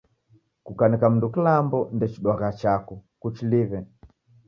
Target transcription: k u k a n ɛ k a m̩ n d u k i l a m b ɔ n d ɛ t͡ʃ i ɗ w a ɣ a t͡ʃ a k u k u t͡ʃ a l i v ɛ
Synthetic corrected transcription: k u k a n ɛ k a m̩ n d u k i l a m b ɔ n d ɛ t͡ʃ i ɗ w a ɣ a t͡ʃ a k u k u t͡ʃ i l i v ɛ